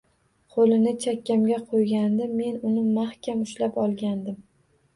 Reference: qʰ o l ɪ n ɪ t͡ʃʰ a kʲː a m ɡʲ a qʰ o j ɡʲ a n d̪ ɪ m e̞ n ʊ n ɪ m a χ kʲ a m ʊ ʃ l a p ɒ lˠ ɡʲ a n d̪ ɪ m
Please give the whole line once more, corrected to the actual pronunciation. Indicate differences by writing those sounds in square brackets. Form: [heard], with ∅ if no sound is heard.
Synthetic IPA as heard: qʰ o l ɪ n ɪ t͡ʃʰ a kʲː a m ɡʲ a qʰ o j ɡʲ a n d̪ ɪ m e̞ n ʊ n ɪ m a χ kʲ a m ʊ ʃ l a p ɒ lˠ ɡʲ a n d̪ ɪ m